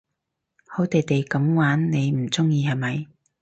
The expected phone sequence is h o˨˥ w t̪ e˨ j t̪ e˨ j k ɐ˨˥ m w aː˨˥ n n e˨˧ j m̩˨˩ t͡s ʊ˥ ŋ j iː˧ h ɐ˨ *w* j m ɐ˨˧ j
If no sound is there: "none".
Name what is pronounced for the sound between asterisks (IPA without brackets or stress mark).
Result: none